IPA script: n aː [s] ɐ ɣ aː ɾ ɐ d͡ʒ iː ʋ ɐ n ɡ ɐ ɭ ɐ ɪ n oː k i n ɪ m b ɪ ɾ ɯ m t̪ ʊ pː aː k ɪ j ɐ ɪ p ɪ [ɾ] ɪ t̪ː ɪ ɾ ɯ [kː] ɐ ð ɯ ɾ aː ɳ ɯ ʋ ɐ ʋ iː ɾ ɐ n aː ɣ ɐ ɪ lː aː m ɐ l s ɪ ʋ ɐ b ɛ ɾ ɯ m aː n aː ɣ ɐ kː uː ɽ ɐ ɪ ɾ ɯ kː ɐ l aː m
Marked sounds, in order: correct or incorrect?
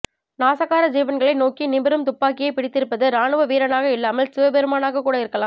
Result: correct, incorrect: ɽ, incorrect: pː

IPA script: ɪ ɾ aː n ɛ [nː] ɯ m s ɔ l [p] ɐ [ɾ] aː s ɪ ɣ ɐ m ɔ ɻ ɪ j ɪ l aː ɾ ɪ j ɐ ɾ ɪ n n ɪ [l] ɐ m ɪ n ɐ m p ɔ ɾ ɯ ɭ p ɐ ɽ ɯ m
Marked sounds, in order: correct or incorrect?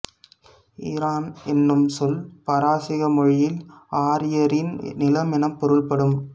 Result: correct, correct, correct, correct

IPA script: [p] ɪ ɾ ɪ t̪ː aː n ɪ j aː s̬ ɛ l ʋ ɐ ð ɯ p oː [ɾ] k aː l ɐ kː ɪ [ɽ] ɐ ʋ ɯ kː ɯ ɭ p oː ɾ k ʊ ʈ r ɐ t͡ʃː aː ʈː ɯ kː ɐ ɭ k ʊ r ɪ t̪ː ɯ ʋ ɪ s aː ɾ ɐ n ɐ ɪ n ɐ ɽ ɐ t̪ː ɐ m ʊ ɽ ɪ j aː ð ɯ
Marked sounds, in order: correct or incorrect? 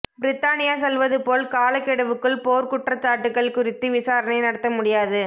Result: incorrect: b, incorrect: l, correct

